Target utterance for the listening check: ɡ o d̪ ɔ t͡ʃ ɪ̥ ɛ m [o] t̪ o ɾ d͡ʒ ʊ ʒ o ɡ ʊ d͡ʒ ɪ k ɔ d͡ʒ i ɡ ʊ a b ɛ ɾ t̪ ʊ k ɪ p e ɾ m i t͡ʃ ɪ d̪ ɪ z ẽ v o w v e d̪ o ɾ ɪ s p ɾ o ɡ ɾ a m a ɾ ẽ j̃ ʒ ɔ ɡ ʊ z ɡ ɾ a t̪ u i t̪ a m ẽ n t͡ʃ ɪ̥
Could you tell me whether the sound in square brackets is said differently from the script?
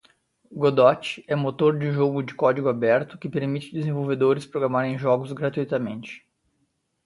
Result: no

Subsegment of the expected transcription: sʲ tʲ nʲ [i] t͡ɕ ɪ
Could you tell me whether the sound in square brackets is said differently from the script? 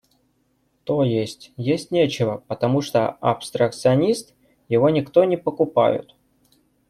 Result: yes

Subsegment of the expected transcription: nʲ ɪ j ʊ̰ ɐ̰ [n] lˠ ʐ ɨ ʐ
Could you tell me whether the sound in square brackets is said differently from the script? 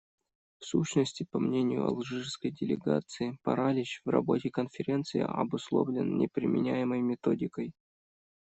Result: yes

